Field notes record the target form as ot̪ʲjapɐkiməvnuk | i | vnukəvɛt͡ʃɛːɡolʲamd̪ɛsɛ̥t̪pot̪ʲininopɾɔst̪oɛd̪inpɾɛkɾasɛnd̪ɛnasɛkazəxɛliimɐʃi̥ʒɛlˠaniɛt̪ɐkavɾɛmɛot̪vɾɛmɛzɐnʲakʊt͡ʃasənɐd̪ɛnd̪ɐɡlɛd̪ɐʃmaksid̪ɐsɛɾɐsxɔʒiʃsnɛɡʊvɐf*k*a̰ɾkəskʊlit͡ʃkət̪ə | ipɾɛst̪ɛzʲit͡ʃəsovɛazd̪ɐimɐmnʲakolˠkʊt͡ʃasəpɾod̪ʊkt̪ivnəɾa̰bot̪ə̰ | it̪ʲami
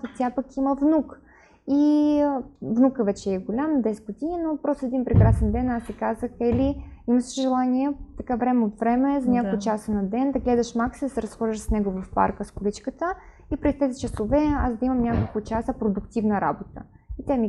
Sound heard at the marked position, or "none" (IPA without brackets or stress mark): p